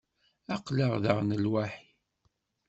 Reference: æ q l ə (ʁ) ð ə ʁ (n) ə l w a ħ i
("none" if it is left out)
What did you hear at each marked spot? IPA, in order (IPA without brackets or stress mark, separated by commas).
ʁ, n